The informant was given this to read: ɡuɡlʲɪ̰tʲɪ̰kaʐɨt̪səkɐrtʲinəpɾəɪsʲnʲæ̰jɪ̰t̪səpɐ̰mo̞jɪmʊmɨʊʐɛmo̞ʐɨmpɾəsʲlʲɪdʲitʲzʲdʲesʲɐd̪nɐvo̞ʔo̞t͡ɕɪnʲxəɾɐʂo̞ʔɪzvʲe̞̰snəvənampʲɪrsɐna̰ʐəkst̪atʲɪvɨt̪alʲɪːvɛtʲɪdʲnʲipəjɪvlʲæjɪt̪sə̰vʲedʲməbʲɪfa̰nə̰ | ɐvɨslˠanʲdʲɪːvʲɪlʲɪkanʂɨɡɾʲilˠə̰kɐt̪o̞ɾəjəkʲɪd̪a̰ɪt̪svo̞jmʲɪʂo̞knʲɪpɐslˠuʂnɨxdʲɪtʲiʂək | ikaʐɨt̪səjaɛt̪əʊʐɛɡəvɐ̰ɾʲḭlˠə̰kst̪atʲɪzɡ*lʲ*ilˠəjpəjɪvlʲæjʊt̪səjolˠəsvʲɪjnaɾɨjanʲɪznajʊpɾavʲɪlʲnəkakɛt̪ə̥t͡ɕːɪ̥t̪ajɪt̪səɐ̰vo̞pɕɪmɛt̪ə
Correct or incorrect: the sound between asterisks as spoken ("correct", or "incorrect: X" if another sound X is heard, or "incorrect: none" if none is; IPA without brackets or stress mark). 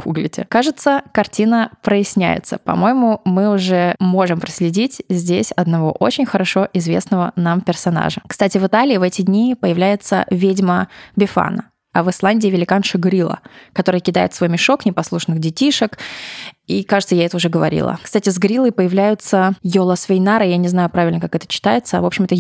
incorrect: ɾʲ